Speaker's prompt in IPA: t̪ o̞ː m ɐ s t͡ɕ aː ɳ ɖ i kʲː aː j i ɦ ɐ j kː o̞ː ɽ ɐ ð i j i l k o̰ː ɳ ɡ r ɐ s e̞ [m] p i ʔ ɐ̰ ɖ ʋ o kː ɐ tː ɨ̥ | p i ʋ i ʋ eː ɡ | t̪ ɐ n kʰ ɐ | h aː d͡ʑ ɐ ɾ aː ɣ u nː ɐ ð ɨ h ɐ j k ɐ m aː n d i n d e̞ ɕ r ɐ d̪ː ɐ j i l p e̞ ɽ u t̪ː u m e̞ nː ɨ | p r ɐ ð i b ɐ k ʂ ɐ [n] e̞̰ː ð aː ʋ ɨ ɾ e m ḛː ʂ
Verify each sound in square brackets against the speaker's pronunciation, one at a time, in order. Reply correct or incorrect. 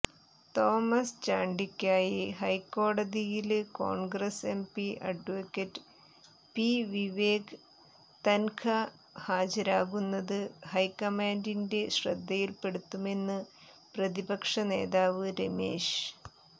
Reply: correct, correct

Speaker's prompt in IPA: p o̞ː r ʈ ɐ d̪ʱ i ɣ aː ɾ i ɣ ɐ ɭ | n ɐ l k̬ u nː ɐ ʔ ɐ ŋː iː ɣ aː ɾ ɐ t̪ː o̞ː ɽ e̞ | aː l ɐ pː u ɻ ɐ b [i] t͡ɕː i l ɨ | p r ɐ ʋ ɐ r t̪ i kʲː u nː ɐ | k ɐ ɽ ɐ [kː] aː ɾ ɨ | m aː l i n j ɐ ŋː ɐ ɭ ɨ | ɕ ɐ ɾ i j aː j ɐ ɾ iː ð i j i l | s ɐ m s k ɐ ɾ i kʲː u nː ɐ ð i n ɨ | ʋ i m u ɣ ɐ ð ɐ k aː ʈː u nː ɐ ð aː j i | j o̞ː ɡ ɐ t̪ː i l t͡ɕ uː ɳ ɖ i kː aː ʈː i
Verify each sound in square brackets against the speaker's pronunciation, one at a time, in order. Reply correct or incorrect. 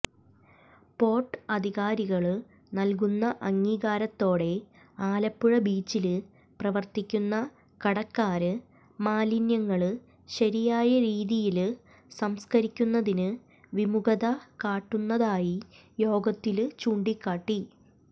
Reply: incorrect, correct

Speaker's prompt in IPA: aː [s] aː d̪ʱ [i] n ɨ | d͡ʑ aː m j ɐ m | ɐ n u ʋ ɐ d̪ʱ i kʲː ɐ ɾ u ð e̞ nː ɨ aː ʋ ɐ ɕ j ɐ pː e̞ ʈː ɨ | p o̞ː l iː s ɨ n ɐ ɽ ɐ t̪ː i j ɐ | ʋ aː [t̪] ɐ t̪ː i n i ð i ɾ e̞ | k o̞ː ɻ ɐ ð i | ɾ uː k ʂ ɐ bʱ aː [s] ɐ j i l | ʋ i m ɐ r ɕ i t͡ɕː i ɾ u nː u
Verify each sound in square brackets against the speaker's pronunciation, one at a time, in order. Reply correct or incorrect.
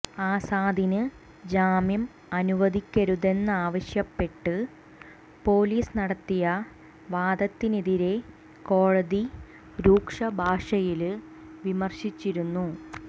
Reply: correct, correct, incorrect, incorrect

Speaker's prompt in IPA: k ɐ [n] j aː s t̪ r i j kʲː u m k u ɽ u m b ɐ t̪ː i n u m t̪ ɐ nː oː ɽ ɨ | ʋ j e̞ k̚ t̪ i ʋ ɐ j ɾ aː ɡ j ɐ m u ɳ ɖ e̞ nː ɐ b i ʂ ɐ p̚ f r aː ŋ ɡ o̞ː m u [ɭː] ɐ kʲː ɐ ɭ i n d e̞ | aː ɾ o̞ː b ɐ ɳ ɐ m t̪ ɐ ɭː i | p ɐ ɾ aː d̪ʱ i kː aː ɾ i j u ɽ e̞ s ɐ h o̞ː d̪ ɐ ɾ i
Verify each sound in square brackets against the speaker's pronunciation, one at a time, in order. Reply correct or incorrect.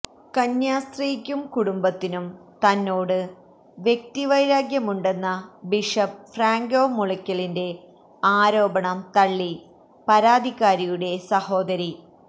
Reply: incorrect, incorrect

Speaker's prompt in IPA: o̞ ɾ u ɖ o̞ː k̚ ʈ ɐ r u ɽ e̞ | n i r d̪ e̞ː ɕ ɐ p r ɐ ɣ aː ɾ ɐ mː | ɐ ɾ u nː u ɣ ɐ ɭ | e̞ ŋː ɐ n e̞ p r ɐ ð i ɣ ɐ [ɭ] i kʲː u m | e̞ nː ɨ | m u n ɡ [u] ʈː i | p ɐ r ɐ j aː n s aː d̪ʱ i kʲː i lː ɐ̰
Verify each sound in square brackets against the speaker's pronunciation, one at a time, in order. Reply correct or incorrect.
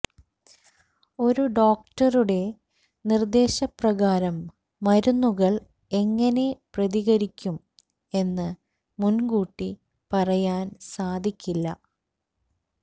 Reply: incorrect, incorrect

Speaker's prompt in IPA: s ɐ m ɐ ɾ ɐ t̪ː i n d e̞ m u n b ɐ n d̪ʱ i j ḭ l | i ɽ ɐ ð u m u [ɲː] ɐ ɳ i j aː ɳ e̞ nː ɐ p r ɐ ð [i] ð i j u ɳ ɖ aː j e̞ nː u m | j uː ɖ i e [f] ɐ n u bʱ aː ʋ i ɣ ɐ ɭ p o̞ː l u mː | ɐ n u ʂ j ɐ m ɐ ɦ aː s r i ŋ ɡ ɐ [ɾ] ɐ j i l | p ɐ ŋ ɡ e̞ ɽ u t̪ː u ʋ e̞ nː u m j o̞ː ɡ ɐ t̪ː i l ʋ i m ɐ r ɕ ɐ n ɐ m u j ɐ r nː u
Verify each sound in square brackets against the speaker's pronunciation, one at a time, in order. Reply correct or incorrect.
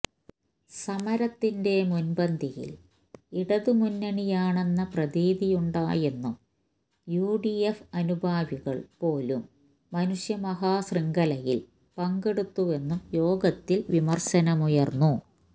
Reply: incorrect, incorrect, correct, incorrect

